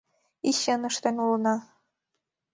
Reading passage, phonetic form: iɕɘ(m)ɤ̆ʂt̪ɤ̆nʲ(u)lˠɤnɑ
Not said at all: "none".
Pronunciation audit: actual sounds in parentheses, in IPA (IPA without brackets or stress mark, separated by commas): n, u